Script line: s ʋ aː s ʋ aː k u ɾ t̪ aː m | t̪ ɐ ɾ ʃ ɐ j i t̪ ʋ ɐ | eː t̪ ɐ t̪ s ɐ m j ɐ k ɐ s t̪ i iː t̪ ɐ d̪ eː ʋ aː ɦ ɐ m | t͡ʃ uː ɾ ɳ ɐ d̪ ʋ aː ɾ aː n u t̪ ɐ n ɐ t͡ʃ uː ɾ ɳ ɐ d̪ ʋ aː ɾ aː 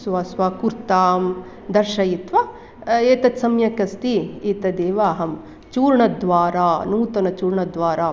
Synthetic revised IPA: s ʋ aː s ʋ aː k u ɾ t̪ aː m | d̪ ɐ ɾ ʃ ɐ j i t̪ ʋ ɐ | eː t̪ ɐ t̪ s ɐ m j ɐ k ɐ s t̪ i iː t̪ ɐ d̪ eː ʋ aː ɦ ɐ m | t͡ʃ uː ɾ ɳ ɐ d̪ ʋ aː ɾ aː n uː t̪ ɐ n ɐ t͡ʃ uː ɾ ɳ ɐ d̪ ʋ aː ɾ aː